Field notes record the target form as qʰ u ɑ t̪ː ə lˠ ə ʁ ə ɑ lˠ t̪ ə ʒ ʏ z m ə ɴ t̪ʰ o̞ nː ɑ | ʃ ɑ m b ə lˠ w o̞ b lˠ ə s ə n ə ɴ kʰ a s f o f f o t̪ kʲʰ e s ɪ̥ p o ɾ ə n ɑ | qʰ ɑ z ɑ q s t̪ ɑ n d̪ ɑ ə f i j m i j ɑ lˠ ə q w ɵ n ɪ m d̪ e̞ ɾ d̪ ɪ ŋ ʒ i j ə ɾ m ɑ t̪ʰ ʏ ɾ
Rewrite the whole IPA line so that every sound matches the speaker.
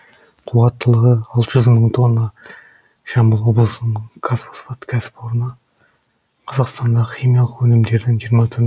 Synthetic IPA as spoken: qʰ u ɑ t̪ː ə lˠ ə ʁ ə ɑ lˠ t̪ ə ʒ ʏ z m ə ɴ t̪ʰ o̞ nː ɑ | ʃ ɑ m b ə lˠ w o̞ b lˠ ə s ə n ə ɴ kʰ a s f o s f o t̪ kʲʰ æ s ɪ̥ p o ɾ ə n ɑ | qʰ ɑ z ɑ q s t̪ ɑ n d̪ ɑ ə χ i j m i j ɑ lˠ ə q w ɵ n ɪ m d̪ e̞ ɾ d̪ ɪ ŋ ʒ i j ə ɾ m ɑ t̪ʰ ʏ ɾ